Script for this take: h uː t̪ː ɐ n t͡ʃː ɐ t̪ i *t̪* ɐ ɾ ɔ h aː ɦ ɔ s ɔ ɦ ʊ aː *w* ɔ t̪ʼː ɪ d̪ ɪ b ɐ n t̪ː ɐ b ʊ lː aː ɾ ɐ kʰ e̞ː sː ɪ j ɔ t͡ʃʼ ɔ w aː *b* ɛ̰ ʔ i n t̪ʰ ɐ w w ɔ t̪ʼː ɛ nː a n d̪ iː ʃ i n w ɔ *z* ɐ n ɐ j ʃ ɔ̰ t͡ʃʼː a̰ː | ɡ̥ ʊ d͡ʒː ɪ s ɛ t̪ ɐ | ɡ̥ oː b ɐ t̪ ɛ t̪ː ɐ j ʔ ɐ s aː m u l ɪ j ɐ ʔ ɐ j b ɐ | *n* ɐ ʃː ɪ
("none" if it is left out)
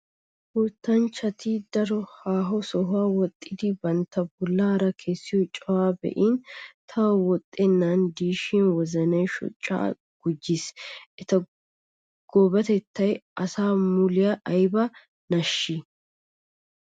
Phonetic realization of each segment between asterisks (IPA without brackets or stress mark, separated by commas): d̪, w, b, z, n